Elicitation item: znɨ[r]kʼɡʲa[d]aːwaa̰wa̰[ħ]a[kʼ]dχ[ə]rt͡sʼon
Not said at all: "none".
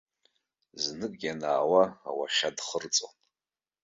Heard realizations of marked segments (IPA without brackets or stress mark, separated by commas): none, n, ʃ, none, ə